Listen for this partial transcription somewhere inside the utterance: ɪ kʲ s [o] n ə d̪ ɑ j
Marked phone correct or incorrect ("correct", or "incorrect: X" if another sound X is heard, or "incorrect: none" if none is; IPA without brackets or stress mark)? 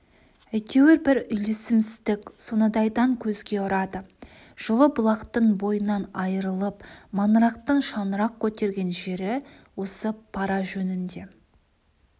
correct